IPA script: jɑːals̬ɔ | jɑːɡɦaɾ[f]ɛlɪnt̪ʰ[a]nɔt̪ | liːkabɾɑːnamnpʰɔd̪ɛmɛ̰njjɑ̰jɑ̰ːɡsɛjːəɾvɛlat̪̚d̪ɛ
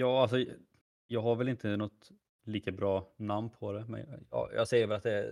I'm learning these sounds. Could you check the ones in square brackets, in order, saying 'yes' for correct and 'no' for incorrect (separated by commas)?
no, no